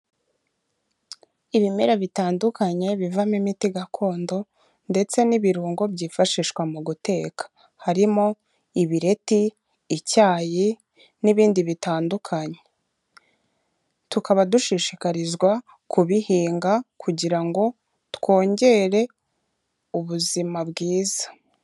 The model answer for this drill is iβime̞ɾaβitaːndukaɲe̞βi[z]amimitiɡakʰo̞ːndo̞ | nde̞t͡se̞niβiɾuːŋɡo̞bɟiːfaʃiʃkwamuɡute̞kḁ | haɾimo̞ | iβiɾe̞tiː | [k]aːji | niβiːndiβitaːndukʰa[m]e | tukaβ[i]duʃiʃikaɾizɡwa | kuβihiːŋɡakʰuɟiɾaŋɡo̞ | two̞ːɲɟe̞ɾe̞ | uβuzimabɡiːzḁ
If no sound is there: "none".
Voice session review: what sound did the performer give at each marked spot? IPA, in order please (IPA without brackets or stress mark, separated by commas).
v, c, ɲ, a